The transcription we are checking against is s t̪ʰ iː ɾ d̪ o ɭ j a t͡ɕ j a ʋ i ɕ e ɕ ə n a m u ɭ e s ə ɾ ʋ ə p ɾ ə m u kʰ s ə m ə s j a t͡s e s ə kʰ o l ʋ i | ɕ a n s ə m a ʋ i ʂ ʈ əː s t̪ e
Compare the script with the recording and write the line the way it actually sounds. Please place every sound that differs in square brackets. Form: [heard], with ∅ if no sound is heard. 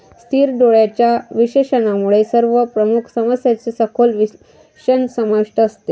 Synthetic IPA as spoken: s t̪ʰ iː ɾ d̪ o ɭ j a t͡ɕ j a ʋ i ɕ e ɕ ə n a m u ɭ e s ə ɾ ʋ ə p ɾ ə m u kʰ s ə m ə s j a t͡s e s ə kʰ o l ʋ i | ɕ [ə] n s ə m a ʋ i ʂ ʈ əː s t̪ e